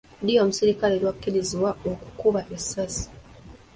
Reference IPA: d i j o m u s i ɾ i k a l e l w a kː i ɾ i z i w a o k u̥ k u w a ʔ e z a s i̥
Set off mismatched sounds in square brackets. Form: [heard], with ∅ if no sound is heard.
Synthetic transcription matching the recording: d i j o m u s i ɾ i k a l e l w a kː i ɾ i z i w a o k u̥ k u [β] a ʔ e [s] a s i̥